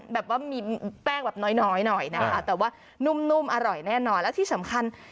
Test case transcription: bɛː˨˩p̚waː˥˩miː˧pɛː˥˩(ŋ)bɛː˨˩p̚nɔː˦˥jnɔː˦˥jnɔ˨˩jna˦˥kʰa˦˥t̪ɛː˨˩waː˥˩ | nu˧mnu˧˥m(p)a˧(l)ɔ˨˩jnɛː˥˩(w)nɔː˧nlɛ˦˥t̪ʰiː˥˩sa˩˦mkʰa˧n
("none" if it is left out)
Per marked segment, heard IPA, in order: ŋ, ʔ, ɾ, none

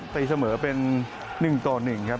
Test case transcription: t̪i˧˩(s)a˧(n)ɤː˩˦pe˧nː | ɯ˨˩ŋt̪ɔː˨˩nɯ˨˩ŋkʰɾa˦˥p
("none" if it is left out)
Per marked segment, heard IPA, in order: s, m

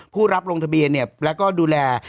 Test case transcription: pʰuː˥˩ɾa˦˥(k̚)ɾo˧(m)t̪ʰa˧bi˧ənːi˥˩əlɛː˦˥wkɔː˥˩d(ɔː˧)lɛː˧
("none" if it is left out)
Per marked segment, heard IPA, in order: p̚, ŋ, uː˧

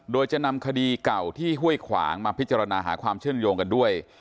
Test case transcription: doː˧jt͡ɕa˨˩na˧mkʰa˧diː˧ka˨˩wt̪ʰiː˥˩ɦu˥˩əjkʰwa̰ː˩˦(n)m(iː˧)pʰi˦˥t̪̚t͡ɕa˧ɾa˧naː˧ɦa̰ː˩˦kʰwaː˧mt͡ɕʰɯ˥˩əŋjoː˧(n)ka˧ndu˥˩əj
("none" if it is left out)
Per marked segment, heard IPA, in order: ŋ, aː˧, ŋ

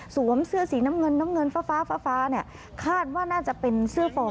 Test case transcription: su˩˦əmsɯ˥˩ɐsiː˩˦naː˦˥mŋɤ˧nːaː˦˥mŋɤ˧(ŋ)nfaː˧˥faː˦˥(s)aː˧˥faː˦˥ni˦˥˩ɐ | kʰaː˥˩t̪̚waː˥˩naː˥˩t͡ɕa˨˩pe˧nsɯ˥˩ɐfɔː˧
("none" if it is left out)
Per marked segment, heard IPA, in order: none, f

